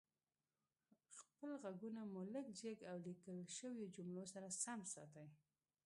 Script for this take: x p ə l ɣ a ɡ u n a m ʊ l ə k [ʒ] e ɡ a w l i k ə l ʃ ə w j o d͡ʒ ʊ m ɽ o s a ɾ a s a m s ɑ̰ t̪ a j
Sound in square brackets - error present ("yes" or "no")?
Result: yes